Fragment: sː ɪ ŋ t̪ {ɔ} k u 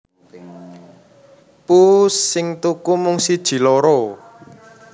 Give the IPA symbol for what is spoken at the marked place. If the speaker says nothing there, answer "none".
u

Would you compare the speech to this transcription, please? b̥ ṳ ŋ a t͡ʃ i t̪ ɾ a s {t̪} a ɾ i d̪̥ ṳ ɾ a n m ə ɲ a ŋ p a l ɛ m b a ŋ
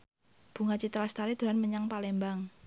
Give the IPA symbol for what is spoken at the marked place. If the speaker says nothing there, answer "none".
t̪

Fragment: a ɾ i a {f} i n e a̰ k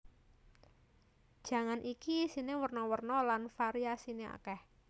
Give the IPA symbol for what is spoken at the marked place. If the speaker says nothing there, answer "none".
s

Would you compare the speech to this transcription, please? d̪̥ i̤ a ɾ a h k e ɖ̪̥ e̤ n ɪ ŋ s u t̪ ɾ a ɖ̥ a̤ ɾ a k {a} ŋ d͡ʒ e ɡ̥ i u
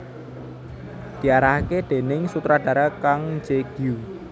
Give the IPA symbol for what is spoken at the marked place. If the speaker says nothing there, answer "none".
a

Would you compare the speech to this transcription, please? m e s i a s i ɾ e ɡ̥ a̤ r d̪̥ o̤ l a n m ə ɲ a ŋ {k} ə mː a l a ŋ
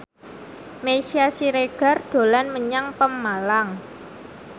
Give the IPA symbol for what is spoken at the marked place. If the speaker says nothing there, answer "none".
p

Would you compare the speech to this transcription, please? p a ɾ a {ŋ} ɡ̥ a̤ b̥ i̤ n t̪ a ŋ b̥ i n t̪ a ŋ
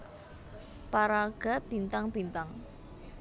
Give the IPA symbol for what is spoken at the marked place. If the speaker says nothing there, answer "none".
none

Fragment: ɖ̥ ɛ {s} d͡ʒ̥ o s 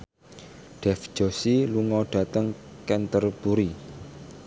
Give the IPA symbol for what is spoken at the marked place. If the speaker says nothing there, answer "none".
f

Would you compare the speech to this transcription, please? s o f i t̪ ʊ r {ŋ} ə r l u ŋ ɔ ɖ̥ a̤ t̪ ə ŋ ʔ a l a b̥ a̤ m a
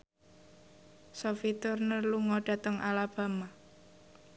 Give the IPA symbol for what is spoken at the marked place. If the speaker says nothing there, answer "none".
n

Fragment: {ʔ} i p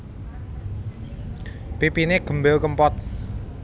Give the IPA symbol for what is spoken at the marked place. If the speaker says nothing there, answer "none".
p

